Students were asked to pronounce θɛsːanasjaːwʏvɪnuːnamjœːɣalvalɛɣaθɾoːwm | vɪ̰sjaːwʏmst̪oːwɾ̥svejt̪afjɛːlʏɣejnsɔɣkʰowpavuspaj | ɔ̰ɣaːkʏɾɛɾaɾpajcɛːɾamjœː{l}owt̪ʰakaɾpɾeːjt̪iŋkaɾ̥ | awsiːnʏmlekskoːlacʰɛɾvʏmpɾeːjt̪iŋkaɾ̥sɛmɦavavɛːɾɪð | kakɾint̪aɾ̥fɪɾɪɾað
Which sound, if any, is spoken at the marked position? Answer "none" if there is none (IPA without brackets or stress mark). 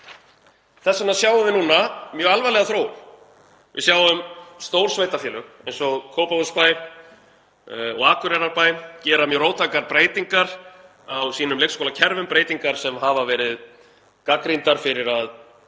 ɾ